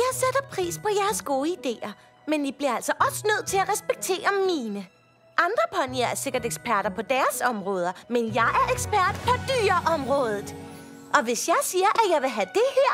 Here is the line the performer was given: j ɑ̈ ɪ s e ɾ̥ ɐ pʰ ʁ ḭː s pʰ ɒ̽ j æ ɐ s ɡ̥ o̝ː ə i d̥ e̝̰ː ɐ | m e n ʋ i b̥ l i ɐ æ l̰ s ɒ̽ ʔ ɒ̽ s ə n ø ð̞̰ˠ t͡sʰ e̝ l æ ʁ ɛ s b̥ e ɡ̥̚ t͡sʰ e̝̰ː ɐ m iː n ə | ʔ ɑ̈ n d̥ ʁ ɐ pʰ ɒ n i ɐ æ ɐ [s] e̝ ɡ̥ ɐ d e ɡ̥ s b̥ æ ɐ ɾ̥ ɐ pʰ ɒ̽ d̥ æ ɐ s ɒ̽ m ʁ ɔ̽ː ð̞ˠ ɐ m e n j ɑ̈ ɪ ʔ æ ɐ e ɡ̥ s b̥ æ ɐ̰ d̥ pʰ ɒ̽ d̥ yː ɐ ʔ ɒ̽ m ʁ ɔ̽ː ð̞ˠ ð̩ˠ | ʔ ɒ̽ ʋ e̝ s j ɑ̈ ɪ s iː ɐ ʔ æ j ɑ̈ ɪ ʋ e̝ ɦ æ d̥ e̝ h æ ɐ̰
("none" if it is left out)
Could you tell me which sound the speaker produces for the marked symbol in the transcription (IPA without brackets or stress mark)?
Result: s